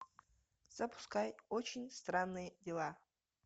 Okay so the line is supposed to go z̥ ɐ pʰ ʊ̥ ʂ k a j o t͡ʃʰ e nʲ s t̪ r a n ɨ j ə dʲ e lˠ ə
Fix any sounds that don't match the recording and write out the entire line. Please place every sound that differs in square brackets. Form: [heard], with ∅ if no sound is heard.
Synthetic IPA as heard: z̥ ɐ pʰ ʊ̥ [s] k a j o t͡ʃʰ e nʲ s t̪ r a [nː] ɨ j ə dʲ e lˠ [a]